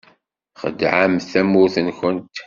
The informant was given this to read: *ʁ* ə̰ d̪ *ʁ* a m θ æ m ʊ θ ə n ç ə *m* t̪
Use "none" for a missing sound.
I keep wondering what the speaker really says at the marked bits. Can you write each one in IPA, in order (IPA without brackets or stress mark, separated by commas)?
χ, ʕ, n